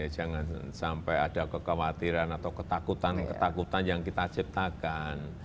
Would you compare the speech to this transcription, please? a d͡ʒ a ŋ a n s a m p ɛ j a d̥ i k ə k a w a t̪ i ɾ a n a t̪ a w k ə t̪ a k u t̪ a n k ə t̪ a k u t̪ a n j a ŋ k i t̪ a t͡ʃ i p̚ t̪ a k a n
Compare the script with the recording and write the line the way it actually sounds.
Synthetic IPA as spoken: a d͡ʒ a ŋ a n s a m p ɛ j a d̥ a k ə k a w a t̪ i ɾ a n a t̪ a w k ə t̪ a k u t̪ a n k ə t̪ a k u t̪ a n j a ŋ k i t̪ a t͡ʃ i p̚ t̪ a k a n